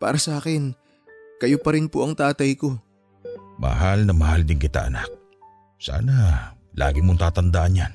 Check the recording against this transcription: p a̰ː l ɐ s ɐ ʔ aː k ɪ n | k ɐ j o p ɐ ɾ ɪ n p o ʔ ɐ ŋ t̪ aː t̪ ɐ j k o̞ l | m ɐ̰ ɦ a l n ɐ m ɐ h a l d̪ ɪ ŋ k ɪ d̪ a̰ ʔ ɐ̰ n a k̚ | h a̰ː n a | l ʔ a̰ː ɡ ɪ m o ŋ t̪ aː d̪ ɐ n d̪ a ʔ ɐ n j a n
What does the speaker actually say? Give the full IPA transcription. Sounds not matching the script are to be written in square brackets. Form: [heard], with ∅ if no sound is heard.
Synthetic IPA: p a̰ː [ɾ] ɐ s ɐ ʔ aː k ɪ n | k ɐ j o p ɐ ɾ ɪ n p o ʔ ɐ ŋ t̪ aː t̪ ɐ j k o̞ [∅] | m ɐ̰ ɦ a l n ɐ m ɐ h a l d̪ ɪ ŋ k ɪ [t̪] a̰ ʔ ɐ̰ n a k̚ | [s] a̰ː n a | l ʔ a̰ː ɡ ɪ m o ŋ t̪ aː [t̪] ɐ n d̪ a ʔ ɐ n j a n